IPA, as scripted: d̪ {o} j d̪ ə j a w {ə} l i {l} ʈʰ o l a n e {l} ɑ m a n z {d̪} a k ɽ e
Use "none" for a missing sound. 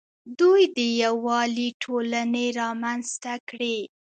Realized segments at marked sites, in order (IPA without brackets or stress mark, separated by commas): u, ɑ, none, ɾ, t̪